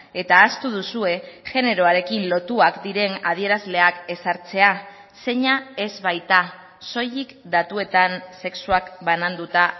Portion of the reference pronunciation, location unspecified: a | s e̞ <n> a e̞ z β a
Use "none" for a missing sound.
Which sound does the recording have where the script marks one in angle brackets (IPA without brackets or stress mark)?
ɲ